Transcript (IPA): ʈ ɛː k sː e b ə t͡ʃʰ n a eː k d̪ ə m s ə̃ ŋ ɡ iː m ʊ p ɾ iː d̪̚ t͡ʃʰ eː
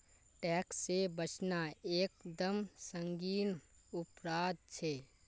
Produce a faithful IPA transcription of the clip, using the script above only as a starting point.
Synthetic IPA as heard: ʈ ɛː k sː e b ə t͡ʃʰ n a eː k d̪ ə m s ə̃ ŋ ɡ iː n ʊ p ɾ aː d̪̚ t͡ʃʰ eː

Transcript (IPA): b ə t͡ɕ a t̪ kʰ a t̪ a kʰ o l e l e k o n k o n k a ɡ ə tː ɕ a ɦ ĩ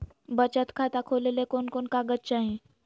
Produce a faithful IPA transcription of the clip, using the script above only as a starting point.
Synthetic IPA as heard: b ə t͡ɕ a t̪ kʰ a t̪ a kʰ o l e l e k o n k o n k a ɡ ə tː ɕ a ɦ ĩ

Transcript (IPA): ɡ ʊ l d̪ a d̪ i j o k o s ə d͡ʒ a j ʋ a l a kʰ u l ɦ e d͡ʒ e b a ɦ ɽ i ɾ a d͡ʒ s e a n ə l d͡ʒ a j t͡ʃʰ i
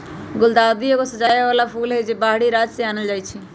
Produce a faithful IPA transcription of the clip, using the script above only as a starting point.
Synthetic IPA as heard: ɡ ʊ l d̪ a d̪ i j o k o s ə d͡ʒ a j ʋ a l a pʰ u l ɦ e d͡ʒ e b a ɦ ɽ i ɾ a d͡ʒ s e a n ə l d͡ʒ a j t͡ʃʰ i

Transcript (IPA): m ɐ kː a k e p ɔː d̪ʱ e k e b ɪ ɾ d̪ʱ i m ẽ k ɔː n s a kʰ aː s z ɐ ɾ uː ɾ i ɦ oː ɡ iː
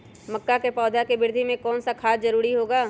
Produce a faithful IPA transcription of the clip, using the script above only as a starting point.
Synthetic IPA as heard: m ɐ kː a k e p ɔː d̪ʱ a k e b ɪ ɾ d̪ʱ i m ẽ k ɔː n s a kʰ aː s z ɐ ɾ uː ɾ i ɦ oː ɡ aː

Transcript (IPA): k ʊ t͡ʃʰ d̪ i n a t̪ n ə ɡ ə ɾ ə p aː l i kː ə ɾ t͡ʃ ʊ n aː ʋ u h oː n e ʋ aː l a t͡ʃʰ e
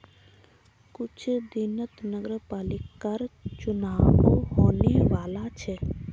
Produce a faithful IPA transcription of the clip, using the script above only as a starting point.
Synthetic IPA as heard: k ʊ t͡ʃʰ d̪ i n ə t̪ n ə ɡ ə ɾ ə p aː l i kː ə ɾ t͡ʃ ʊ n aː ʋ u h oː n e ʋ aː l a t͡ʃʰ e

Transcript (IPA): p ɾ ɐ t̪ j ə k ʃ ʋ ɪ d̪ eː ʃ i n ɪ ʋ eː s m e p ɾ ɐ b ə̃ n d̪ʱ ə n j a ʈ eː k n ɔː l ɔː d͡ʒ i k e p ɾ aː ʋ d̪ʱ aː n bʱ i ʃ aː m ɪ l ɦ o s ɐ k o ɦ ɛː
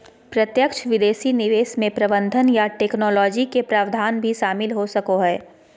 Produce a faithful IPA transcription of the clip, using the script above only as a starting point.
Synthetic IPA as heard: p ɾ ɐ t̪ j ə k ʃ ʋ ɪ d̪ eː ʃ i n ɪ ʋ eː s m ẽ p ɾ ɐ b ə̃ n d̪ʱ ə n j a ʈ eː k n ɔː l ɔː d͡ʒ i k e p ɾ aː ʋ d̪ʱ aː n bʱ i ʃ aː m ɪ l ɦ o s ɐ k o ɦ ɛː

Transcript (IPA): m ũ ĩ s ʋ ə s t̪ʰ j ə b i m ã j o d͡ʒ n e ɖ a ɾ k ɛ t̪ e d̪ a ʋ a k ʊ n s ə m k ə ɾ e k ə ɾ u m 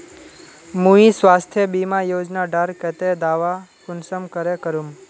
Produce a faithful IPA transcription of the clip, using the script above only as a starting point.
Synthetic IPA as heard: m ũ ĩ s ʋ a s t̪ʰ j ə b i m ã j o d͡ʒ n a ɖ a ɾ k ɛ t̪ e d̪ a ʋ a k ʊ n s ə m k ə ɾ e k ə ɾ u m

